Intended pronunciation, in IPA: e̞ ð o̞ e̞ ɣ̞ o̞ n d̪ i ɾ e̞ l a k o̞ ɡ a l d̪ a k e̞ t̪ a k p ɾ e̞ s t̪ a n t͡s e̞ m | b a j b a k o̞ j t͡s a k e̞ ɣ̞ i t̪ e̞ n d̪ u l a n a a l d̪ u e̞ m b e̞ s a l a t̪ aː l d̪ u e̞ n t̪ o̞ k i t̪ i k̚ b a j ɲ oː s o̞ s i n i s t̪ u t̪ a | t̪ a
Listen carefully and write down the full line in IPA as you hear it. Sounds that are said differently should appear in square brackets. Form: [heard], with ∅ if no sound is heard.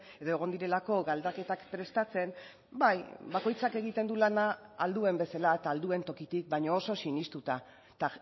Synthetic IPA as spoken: e̞ ð o̞ e̞ ɣ̞ o̞ n d̪ i ɾ e̞ l a k o̞ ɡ a l d̪ a k e̞ t̪ a k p ɾ e̞ s t̪ a [∅] t͡s e̞ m | b a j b a k o̞ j t͡s a k e̞ ɣ̞ i t̪ e̞ n d̪ u l a n a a l d̪ u e̞ m b e̞ s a l a t̪ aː l d̪ u e̞ n t̪ o̞ k i t̪ i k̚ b a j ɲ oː s o̞ s i n i s t̪ u t̪ a | t̪ a